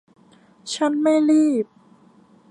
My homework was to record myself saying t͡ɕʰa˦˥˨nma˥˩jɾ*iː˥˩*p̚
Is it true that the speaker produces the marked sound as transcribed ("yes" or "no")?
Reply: yes